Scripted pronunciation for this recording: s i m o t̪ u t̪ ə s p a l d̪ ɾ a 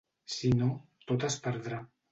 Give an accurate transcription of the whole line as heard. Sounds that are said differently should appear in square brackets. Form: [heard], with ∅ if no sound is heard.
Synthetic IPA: s i [n] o t̪ [o] t̪ [a] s p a [ɾ] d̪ ɾ a